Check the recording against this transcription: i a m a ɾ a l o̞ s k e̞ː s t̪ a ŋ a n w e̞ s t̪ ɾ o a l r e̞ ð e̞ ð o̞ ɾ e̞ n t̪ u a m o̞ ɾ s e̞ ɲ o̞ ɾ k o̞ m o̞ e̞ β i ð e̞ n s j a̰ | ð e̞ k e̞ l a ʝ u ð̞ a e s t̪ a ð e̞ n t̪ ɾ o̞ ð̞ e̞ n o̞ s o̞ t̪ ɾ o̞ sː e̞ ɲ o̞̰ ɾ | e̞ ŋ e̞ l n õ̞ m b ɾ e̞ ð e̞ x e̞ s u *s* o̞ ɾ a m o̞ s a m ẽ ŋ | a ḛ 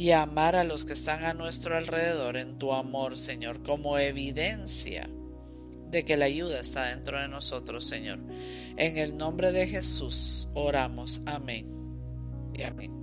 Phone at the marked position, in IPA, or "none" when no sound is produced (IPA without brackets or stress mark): s